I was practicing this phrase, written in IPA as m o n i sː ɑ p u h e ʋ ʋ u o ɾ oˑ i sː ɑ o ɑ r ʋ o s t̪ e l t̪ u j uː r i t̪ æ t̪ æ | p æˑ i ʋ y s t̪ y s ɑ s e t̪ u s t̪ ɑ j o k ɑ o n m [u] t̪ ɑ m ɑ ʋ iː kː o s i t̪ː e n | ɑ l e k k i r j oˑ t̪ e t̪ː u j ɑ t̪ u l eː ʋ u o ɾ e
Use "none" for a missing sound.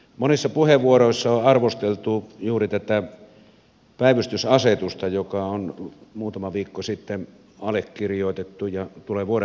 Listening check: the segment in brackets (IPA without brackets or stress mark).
uː